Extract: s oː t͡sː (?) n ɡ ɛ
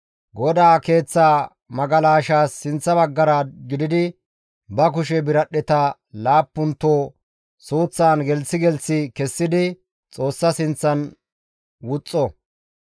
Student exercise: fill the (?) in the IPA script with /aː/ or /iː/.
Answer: aː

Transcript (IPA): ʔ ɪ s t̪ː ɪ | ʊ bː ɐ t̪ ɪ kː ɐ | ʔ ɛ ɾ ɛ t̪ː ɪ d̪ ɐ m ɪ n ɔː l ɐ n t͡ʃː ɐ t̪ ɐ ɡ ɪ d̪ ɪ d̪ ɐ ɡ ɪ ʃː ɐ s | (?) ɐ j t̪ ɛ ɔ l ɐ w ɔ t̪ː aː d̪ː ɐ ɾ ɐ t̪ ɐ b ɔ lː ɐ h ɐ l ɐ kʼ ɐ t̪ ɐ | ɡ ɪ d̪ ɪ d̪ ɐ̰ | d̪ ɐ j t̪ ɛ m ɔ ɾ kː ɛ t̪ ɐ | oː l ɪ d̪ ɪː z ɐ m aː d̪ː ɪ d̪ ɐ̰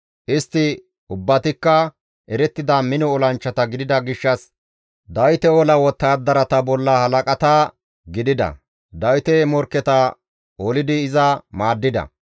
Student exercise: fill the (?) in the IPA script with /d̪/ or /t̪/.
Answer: d̪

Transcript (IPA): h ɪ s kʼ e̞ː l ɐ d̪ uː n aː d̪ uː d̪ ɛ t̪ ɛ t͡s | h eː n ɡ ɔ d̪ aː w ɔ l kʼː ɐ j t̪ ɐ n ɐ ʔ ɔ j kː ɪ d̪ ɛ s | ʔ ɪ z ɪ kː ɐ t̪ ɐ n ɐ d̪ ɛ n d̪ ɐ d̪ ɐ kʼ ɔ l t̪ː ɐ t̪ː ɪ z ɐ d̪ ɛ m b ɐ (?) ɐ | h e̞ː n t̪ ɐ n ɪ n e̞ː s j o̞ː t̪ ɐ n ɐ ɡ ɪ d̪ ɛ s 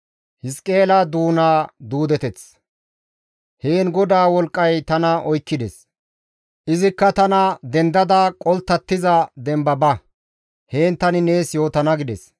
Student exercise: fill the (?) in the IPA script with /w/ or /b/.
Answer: b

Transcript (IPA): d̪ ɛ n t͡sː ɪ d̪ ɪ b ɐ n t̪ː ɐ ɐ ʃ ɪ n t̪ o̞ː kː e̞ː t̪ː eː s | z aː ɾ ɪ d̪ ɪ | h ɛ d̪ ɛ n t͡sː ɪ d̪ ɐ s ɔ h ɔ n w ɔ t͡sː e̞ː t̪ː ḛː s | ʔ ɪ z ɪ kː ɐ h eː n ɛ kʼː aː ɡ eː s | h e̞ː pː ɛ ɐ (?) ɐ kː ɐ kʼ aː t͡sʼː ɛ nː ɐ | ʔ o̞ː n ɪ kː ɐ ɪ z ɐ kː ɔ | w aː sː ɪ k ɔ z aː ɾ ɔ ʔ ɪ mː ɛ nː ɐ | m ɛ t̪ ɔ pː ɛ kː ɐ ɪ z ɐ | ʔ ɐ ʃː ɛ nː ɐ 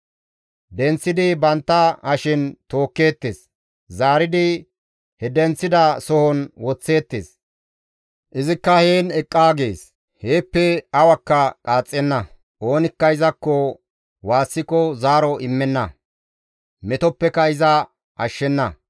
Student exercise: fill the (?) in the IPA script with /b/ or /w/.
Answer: w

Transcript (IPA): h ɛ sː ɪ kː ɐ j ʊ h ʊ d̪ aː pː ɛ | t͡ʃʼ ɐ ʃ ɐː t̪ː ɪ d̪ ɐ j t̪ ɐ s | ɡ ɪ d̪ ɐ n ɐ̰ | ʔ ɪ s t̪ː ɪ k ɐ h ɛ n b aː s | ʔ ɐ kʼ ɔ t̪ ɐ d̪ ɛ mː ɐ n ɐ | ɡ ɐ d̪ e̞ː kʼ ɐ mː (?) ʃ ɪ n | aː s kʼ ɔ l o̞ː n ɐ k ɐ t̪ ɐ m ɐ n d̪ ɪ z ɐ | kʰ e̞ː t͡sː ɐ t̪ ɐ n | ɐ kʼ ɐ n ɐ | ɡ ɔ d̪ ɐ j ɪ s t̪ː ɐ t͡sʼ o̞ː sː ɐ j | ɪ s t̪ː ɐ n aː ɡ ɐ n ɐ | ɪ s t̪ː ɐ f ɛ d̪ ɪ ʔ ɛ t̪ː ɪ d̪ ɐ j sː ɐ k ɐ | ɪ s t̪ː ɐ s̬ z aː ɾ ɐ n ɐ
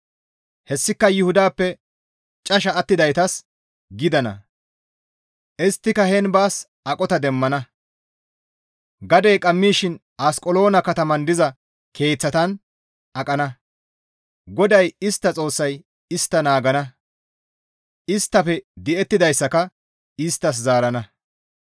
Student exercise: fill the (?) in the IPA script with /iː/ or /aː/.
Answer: iː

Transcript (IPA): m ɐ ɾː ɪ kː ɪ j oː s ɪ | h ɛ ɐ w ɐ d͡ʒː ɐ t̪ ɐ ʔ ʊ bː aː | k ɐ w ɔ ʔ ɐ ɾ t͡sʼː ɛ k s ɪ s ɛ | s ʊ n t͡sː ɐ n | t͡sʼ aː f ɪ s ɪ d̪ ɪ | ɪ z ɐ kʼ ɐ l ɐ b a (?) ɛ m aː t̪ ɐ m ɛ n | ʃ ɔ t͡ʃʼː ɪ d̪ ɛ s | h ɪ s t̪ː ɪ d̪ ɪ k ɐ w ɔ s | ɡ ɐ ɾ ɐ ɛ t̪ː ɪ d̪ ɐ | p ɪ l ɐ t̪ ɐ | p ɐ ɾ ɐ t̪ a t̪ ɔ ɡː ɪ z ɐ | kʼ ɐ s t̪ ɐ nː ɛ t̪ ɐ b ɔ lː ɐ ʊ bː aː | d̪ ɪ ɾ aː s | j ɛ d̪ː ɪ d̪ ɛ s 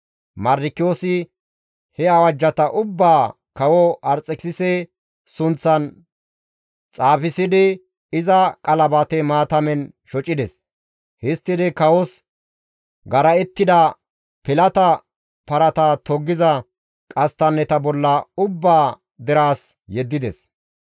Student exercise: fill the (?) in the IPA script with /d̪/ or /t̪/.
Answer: t̪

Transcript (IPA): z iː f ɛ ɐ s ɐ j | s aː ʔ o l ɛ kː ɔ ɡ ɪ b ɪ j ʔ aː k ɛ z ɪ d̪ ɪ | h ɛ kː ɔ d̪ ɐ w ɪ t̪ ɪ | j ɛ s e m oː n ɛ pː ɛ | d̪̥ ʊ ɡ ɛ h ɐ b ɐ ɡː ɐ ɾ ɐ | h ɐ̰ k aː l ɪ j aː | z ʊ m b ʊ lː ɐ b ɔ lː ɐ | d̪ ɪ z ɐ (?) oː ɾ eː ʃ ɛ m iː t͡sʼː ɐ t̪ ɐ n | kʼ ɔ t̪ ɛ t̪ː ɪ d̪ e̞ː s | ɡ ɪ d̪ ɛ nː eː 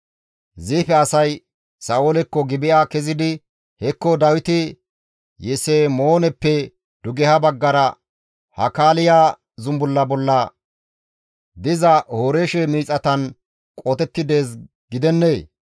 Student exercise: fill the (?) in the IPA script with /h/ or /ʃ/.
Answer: h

